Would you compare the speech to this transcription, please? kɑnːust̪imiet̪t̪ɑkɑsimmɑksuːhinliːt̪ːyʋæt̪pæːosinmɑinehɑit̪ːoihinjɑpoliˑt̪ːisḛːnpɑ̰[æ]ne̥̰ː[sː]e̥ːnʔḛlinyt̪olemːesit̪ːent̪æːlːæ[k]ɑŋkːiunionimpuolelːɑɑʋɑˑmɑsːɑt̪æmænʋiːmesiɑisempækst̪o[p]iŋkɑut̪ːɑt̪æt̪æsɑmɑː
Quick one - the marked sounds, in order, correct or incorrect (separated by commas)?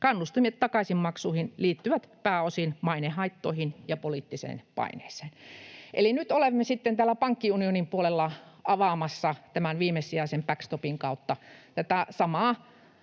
incorrect, incorrect, incorrect, correct